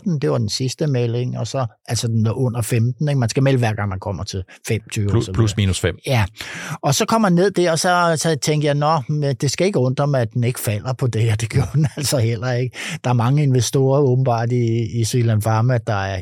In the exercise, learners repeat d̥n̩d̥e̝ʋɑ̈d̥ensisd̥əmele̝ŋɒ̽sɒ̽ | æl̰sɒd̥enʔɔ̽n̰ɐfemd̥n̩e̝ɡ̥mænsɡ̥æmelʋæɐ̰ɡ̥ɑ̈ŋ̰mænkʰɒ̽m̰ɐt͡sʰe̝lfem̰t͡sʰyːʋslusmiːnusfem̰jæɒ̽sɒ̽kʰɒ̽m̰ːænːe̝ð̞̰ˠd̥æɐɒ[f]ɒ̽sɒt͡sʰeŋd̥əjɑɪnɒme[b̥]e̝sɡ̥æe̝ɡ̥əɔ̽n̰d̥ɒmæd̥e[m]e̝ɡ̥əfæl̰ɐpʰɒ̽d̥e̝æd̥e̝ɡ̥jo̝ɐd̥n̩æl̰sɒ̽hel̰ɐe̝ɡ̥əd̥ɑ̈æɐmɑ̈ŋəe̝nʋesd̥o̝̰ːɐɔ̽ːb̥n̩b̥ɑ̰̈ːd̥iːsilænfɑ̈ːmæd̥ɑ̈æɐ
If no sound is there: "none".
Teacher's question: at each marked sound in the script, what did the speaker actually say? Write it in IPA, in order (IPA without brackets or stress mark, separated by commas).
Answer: s, d̥, n